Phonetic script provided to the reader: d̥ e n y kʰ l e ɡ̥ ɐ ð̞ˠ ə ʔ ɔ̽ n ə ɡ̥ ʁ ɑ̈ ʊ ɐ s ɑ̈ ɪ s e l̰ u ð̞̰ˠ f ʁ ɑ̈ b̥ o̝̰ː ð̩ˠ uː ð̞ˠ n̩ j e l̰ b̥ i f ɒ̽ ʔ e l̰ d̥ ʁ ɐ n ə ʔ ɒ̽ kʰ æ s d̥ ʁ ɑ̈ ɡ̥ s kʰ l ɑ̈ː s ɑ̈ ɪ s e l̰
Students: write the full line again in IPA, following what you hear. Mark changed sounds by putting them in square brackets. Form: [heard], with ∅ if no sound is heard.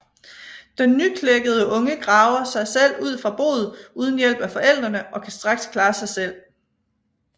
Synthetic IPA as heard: d̥ e [nː] y kʰ l e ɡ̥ [ə] ð̞ˠ ə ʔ ɔ̽ [ŋ] ə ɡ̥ ʁ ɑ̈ ʊ ɐ s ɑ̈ ɪ s e l̰ u ð̞̰ˠ f ʁ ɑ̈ b̥ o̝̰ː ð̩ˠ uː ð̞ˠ n̩ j e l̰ b̥ [æ] f ɒ̽ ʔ e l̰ d̥ ʁ ɐ n ə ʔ ɒ̽ kʰ æ s d̥ ʁ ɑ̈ ɡ̥ s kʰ l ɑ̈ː s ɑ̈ ɪ s e l̰